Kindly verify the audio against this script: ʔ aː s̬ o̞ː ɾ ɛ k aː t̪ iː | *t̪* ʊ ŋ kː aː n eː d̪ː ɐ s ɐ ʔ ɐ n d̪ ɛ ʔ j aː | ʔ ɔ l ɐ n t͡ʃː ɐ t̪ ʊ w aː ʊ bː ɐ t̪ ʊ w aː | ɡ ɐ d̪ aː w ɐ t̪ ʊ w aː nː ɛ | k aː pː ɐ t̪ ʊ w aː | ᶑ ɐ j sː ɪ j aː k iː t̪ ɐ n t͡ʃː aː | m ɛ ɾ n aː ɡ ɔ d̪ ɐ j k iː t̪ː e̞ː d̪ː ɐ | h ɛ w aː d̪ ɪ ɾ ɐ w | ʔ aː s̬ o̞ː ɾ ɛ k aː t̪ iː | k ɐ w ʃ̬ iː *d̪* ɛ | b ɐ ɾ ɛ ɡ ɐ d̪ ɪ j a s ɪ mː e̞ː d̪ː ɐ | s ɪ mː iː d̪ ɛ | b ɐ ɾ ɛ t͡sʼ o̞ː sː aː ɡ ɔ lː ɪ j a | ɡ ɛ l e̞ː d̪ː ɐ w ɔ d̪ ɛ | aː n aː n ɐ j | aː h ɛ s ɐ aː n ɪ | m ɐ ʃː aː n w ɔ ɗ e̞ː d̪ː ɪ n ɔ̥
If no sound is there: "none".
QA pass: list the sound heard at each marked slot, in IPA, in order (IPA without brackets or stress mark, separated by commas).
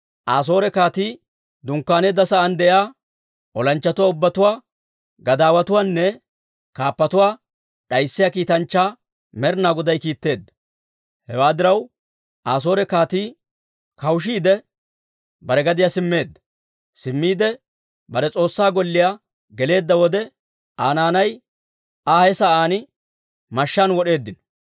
d̪, d̪